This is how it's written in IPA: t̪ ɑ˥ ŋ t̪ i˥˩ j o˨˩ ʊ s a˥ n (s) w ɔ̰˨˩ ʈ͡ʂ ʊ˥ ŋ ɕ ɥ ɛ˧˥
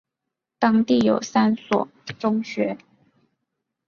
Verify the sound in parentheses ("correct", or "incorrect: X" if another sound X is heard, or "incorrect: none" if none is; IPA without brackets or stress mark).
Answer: correct